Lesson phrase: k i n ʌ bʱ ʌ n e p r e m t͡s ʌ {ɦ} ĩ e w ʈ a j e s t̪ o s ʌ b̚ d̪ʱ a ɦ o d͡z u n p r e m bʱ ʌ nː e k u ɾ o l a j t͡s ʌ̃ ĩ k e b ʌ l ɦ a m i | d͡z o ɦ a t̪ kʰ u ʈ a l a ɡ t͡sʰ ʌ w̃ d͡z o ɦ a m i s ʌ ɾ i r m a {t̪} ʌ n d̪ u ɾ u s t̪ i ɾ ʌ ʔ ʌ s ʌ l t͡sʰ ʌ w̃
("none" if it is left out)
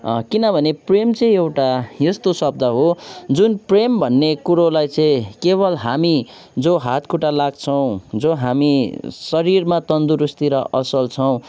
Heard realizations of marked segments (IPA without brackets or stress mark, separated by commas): none, t̪